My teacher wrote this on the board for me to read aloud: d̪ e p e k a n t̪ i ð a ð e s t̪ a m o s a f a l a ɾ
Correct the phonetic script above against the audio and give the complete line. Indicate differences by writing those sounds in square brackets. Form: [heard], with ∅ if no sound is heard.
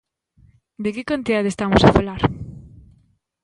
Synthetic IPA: d̪ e [k] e k a n t̪ i ð a ð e s t̪ a m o s a f a l a ɾ

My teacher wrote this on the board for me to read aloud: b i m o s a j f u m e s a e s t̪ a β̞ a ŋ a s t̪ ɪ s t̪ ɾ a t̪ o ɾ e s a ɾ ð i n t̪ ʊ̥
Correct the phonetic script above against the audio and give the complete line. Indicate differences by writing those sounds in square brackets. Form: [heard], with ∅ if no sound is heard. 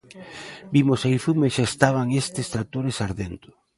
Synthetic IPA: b i m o s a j f u m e [ʃ] a e s t̪ a β̞ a ŋ [e] s t̪ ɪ s t̪ ɾ a t̪ o ɾ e s a ɾ ð [e] n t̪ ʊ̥

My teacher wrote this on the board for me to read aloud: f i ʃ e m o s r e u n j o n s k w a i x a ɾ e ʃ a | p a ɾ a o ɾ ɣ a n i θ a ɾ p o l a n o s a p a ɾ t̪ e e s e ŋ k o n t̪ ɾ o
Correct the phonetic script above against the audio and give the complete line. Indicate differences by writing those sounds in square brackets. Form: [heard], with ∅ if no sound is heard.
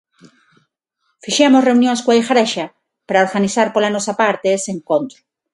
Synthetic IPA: f i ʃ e m o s r e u n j o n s k w a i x a ɾ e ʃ a | p a ɾ a o ɾ ɣ a n i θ a ɾ p o l a n o s a p a ɾ t̪ e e s e ŋ k o n t̪ ɾ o

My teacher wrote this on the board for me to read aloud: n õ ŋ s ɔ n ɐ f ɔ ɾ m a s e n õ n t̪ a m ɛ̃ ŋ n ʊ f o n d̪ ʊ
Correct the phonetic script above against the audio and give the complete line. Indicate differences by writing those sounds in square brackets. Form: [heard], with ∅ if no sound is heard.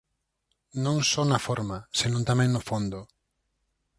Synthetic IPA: n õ ŋ s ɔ n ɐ f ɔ ɾ m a s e n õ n t̪ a m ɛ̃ ŋ n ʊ f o n d̪ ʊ

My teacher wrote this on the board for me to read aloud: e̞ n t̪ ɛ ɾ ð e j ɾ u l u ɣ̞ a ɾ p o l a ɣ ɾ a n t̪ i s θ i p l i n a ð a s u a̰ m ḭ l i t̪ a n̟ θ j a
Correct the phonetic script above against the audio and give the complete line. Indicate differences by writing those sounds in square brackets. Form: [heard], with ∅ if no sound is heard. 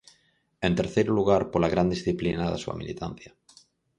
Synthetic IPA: e̞ n t̪ [e] ɾ [θ] e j ɾ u l u ɣ̞ a ɾ p o l a ɣ ɾ a n [d̪] i s θ i p l i n a ð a s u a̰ m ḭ l i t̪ a n̟ θ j a

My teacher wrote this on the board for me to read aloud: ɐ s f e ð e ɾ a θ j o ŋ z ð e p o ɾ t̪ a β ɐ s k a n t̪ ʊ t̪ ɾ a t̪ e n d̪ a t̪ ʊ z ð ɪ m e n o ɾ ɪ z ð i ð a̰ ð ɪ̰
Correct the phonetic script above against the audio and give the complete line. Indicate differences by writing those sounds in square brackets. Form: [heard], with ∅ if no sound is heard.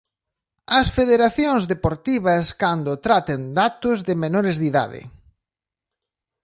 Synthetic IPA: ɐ s f e ð e ɾ a θ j o ŋ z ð e p o ɾ t̪ [i] β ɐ s k a n [d̪] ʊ t̪ ɾ a t̪ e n d̪ a t̪ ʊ z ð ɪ m e n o ɾ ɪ z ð i ð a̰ ð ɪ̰

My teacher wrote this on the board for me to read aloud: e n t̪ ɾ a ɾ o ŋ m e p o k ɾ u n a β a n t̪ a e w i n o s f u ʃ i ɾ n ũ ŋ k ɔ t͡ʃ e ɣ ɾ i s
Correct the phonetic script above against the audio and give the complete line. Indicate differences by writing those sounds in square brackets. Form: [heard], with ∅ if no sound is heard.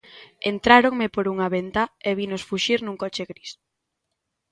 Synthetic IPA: e n t̪ ɾ a ɾ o ŋ m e p o [∅] ɾ u [ŋ] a β [e] n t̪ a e [β] i n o s f u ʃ i ɾ n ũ ŋ k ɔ t͡ʃ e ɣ ɾ i s

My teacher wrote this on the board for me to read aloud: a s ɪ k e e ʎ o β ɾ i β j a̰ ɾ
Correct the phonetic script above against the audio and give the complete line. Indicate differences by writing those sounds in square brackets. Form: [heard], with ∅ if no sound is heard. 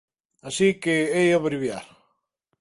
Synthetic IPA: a s [i] k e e [j] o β ɾ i β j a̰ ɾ

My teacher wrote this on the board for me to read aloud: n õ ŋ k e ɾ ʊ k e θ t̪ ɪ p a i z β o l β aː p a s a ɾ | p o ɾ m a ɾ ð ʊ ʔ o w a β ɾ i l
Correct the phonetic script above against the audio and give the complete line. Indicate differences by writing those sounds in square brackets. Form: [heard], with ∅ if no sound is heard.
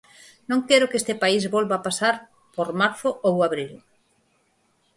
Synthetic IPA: n õ ŋ k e ɾ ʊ k e [s] t̪ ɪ p a i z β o l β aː p a s a ɾ | p o ɾ m a ɾ [θ] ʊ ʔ o w a β ɾ i l

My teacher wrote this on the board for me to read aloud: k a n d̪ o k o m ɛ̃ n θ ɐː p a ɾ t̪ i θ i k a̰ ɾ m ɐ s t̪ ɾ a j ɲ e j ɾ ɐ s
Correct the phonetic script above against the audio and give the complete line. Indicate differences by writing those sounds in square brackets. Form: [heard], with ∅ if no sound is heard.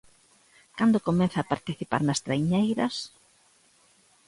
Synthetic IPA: k a n d̪ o k o m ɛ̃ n θ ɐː p a ɾ t̪ i θ i [p] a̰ ɾ [n] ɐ s t̪ ɾ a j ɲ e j ɾ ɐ s

